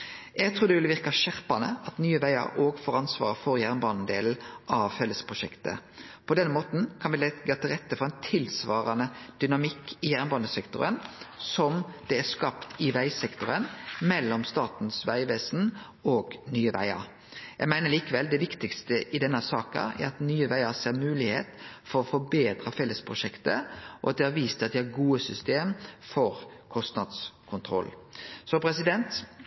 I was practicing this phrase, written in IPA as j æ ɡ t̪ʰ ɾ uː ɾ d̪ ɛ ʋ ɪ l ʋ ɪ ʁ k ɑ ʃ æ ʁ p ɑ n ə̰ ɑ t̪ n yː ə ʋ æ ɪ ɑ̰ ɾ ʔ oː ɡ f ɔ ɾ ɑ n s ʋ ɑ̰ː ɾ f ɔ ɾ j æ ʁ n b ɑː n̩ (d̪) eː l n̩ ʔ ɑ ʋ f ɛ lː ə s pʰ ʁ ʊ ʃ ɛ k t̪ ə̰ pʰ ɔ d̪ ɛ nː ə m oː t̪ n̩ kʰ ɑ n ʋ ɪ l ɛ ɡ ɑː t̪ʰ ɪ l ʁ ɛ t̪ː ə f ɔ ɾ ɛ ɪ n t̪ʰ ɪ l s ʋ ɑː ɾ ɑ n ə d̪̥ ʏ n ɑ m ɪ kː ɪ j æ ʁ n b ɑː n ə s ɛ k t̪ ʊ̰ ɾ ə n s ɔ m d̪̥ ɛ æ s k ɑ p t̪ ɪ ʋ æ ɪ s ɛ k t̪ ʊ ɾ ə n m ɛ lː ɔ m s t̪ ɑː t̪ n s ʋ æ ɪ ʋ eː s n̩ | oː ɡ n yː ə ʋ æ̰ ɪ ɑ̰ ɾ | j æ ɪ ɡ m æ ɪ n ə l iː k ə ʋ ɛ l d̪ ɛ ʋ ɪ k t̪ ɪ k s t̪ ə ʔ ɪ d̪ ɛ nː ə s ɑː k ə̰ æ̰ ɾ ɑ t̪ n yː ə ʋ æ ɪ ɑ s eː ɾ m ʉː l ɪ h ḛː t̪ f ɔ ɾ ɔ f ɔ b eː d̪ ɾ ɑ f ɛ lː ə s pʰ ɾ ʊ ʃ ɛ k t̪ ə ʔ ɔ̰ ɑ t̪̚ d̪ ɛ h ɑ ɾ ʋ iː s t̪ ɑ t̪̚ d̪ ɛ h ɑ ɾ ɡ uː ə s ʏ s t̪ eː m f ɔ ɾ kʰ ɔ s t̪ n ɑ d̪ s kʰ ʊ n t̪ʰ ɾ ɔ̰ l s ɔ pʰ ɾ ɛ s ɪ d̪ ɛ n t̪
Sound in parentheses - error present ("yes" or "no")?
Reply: no